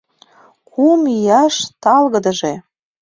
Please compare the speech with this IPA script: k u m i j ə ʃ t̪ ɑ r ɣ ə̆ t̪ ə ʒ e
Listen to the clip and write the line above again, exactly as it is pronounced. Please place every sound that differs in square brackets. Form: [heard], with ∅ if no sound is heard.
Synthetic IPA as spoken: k u m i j [ɑ] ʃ t̪ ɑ [l] ɣ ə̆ [d̪] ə ʒ e